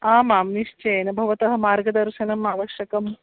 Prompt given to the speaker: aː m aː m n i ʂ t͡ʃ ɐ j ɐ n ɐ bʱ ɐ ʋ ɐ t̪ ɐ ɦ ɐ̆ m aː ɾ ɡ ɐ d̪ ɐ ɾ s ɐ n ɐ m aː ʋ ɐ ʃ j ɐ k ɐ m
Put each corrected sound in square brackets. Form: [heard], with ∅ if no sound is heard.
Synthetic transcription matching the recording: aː m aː m n i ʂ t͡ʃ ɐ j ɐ n ɐ bʱ ɐ ʋ ɐ t̪ ɐ ɦ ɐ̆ m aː ɾ ɡ ɐ d̪ ɐ ɾ [ʃ] ɐ n ɐ m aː ʋ ɐ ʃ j ɐ k ɐ m